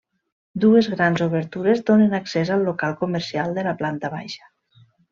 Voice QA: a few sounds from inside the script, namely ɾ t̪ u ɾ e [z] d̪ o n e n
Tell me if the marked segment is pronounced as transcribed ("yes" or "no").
yes